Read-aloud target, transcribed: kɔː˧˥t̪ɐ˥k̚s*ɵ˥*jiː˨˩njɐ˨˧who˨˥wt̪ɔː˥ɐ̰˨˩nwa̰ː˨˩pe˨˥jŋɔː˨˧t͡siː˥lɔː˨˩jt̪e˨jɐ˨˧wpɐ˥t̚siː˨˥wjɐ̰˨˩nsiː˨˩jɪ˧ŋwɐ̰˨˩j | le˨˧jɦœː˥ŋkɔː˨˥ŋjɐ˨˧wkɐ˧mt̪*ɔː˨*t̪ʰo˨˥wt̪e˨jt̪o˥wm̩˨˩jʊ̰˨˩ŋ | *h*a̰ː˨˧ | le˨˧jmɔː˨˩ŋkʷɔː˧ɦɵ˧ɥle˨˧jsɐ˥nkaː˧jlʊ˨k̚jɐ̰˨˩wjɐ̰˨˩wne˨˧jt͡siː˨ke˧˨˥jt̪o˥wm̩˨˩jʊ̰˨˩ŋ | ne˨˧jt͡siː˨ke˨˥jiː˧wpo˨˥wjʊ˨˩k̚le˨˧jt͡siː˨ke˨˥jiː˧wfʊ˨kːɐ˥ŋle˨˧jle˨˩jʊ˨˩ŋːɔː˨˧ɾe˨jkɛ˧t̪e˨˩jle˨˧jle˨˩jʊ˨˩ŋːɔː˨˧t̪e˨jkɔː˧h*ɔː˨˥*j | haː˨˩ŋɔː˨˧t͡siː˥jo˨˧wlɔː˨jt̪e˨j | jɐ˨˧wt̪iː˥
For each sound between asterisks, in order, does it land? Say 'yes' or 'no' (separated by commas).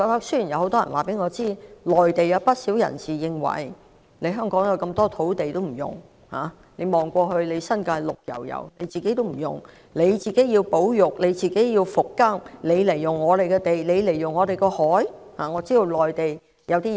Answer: yes, no, yes, yes